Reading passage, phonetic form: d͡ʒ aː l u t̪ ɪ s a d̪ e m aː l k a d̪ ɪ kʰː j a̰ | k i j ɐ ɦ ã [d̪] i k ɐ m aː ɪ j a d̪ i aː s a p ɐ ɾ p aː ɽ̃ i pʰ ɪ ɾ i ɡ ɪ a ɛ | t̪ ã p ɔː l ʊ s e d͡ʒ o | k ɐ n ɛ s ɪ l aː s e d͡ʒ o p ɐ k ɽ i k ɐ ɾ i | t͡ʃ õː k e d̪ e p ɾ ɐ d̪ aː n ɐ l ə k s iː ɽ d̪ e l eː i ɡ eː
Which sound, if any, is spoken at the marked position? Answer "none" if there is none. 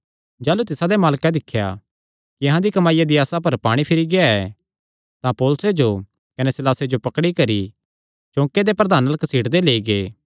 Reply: d̪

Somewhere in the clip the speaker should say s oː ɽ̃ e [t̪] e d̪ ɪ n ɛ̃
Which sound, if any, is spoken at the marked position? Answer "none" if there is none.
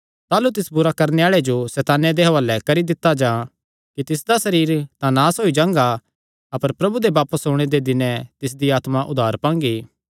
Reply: d̪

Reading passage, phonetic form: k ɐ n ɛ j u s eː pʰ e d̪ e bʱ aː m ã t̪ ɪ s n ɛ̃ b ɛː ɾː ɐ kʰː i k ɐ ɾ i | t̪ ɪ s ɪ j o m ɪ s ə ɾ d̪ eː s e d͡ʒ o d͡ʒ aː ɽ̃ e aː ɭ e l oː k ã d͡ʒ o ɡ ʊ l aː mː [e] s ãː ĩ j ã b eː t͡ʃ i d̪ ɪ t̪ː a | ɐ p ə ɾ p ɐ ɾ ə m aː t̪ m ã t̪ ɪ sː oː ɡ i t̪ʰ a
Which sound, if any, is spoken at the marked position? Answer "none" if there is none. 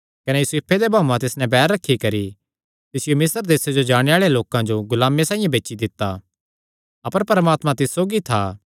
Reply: e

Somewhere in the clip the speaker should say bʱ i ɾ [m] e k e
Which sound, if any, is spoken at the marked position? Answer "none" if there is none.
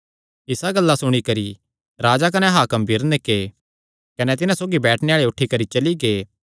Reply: n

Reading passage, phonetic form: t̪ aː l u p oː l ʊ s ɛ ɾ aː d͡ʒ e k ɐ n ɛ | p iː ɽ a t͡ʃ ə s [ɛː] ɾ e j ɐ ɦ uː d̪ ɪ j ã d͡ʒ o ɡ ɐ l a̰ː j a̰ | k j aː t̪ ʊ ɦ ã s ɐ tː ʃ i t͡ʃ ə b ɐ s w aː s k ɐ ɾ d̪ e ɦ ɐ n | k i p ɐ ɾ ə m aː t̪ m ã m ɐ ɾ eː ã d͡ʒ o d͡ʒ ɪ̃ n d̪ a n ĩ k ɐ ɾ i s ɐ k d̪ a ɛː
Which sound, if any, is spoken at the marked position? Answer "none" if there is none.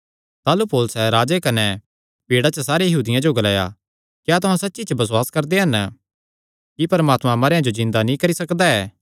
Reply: aː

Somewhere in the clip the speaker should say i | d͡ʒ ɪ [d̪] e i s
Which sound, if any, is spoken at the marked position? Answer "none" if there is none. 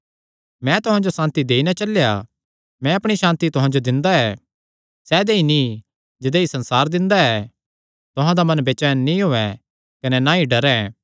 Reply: d̪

